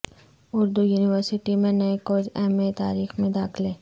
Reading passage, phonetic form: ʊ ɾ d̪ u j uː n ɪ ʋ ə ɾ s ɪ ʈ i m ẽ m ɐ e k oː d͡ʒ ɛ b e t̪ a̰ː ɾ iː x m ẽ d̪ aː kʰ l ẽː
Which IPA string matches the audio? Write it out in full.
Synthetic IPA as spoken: ʊ ɾ d̪ u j uː n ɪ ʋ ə ɾ s ɪ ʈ i m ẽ n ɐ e k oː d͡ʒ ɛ m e t̪ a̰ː ɾ iː x m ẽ d̪ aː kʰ l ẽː